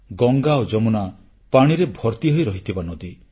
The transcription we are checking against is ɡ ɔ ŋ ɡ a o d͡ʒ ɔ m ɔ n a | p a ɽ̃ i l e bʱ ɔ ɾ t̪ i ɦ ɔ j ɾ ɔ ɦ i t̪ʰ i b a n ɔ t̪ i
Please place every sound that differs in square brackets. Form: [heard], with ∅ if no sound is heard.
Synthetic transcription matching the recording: ɡ ɔ ŋ ɡ a o d͡ʒ ɔ m [u] n a | p a ɽ̃ i [ɾ] e bʱ ɔ ɾ t̪ i ɦ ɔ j ɾ ɔ ɦ i t̪ʰ i b a n ɔ [d̪] i